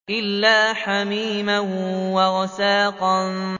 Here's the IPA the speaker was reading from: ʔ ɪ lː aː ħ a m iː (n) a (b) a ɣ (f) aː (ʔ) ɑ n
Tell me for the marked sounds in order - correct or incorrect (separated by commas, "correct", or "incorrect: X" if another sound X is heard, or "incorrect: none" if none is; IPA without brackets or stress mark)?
incorrect: m, incorrect: w, incorrect: s, incorrect: q